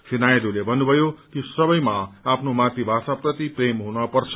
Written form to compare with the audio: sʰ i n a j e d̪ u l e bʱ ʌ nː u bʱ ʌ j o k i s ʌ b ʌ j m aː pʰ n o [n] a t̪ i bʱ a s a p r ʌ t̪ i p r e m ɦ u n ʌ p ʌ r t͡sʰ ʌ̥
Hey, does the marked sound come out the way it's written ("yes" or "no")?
no